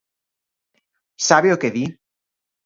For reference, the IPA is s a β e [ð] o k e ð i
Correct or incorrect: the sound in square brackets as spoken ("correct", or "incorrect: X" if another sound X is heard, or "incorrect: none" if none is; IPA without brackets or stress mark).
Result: incorrect: none